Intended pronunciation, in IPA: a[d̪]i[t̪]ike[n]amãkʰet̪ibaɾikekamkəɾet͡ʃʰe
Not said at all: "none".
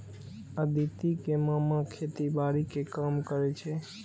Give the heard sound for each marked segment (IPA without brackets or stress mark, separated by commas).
d̪, t̪, m